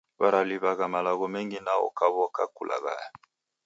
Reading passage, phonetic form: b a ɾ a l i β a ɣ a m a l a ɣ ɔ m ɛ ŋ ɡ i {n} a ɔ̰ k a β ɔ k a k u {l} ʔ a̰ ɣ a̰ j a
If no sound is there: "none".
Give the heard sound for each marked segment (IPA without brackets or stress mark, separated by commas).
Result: n, l